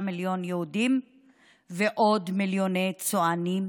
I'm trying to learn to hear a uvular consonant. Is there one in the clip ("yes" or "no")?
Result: no